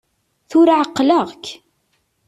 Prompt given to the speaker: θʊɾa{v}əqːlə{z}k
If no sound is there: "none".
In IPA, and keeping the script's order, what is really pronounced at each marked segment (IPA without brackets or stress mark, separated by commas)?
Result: ʕ, ʁ